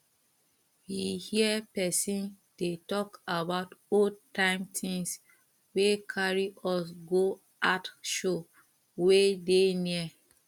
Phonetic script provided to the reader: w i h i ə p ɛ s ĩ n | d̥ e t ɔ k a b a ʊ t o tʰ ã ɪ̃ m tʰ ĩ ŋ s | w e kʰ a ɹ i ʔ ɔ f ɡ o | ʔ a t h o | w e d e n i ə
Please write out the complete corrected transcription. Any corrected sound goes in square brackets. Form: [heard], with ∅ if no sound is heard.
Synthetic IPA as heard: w i h i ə p ɛ s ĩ n | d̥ e t ɔ k a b a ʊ t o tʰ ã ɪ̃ m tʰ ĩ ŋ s | w e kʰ a ɹ i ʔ ɔ [s] ɡ o | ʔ a t [ʃ] o | w e d e n i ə